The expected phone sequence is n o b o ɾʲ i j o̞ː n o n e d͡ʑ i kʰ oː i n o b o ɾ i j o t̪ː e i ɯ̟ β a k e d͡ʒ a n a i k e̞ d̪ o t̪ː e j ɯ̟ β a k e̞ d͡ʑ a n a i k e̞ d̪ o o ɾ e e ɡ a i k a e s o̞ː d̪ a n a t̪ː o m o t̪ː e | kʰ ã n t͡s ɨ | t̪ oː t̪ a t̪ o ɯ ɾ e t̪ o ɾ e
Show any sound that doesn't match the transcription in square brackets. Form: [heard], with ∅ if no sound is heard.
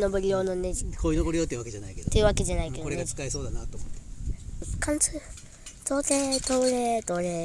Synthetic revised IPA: n o b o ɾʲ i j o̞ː n o n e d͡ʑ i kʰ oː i n o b o ɾ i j o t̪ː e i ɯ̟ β a k e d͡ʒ a n a i k e̞ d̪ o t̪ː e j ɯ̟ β a k e̞ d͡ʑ a n a i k e̞ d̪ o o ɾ e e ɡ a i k a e s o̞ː d̪ a n a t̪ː o m o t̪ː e | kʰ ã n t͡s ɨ | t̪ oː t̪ [e] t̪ o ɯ ɾ e t̪ o ɾ e

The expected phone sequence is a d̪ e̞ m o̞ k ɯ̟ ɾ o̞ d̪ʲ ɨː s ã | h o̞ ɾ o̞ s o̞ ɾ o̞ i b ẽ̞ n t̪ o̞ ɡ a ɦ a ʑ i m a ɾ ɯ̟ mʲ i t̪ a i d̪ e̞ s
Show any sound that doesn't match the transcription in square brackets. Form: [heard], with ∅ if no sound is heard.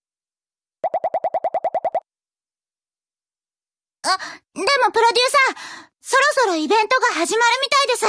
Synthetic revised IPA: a d̪ e̞ m o̞ [p] ɯ̟ ɾ o̞ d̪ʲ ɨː s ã | [s] o̞ ɾ o̞ s o̞ ɾ o̞ i b ẽ̞ n t̪ o̞ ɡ a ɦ a ʑ i m a ɾ ɯ̟ mʲ i t̪ a i d̪ e̞ s

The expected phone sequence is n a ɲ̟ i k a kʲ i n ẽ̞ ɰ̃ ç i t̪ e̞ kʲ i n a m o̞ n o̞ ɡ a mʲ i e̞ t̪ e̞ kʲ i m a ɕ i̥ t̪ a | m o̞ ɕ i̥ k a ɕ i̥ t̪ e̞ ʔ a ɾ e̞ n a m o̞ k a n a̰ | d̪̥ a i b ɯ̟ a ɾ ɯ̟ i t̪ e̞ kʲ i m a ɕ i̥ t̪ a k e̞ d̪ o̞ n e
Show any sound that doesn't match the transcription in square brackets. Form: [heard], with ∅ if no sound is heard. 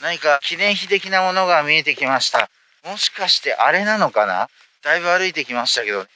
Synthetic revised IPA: n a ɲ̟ i k a kʲ i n ẽ̞ ɰ̃ ç i t̪ e̞ kʲ i n a m o̞ n o̞ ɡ a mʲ i e̞ t̪ e̞ kʲ i m a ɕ i̥ t̪ a | m o̞ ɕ i̥ k a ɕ i̥ t̪ e̞ ʔ a ɾ e̞ n a [n] o̞ k a n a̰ | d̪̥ a i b ɯ̟ a ɾ ɯ̟ i t̪ e̞ kʲ i m a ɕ i̥ t̪ a k e̞ d̪ o̞ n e

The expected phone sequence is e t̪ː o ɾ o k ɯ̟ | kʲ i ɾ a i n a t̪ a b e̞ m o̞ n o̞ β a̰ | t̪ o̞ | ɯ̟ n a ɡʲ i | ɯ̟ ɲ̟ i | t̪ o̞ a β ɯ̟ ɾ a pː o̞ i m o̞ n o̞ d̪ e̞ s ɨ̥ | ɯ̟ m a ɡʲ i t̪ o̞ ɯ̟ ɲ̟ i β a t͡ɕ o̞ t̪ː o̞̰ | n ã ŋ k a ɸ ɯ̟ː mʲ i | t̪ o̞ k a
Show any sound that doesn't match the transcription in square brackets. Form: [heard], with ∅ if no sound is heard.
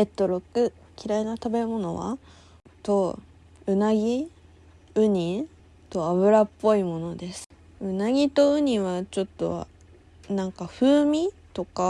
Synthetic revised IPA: e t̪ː o ɾ o k ɯ̟ | kʲ i ɾ a i n a t̪ a b e̞ m o̞ n o̞ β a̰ | t̪ o̞ | ɯ̟ n a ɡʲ i | ɯ̟ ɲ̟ i | t̪ o̞ a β ɯ̟ ɾ a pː o̞ i m o̞ n o̞ d̪ e̞ s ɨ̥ | ɯ̟ [n] a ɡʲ i t̪ o̞ ɯ̟ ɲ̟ i β a t͡ɕ o̞ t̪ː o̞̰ | n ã ŋ k a ɸ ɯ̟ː mʲ i | t̪ o̞ k a

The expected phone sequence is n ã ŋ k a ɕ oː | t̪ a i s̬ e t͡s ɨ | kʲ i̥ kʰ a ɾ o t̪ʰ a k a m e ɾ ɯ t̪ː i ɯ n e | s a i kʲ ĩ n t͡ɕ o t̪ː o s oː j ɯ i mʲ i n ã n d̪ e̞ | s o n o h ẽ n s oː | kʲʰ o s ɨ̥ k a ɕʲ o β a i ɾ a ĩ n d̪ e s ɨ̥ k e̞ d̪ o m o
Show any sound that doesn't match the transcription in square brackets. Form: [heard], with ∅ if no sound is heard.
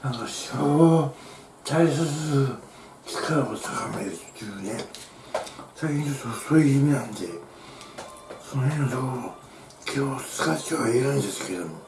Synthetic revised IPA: n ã ŋ k a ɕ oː | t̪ a i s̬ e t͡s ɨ | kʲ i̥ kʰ a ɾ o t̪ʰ a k a m e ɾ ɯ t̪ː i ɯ n e | s a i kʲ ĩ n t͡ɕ o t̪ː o s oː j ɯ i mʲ i n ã n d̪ e̞ | s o n o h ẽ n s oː | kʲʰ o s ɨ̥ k a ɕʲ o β a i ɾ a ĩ n d̪ e s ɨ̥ k e̞ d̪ o m o

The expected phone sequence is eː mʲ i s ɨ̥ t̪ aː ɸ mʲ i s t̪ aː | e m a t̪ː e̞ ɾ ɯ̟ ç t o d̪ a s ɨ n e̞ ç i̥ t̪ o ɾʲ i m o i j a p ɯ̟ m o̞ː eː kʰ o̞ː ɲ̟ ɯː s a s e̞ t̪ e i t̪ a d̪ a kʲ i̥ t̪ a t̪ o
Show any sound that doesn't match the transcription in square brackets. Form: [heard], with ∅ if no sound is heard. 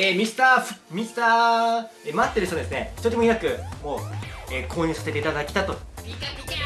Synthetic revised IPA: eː mʲ i s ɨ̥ t̪ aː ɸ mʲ i s t̪ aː | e m a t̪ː e̞ ɾ ɯ̟ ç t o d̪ [e] s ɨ n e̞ ç i̥ t̪ o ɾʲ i m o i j a [k] ɯ̟ m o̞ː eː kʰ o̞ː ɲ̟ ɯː s a s e̞ t̪ e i t̪ a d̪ a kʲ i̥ t̪ a t̪ o

